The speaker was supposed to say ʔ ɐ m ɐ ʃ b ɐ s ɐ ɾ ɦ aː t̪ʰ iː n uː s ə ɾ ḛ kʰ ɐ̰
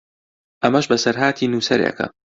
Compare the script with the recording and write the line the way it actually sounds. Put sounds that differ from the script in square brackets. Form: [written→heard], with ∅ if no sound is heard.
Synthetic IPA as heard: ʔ ɐ m ɐ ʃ b ɐ s ɐ ɾ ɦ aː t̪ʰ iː n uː s [ə→ɐ] ɾ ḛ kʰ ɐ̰